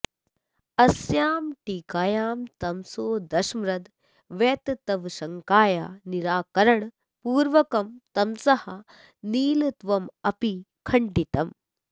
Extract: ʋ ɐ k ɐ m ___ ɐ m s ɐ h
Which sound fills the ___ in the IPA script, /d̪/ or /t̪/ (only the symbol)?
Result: t̪